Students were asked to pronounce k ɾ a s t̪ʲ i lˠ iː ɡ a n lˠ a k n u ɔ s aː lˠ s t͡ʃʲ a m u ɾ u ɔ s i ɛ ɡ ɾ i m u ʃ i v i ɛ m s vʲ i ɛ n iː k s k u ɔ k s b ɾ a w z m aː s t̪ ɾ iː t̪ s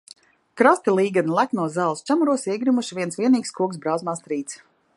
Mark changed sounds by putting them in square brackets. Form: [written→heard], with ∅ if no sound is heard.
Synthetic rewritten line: k ɾ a s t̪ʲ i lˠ iː ɡ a n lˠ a k n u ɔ [s→z] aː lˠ s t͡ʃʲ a m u ɾ u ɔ s i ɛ ɡ ɾ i m u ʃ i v i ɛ [m→n] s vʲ i ɛ n iː k s k u ɔ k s b ɾ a w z m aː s t̪ ɾ iː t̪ s